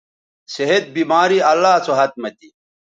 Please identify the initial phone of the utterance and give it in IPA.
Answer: s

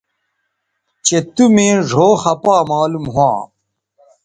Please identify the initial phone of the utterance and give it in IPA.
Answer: t͡ɕ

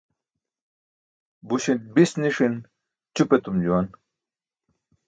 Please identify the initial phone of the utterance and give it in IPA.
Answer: b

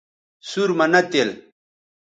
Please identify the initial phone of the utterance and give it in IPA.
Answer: s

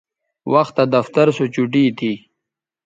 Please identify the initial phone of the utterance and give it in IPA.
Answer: w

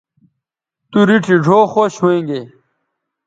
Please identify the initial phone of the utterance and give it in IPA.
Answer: t̪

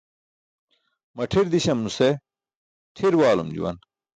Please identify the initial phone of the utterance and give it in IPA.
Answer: m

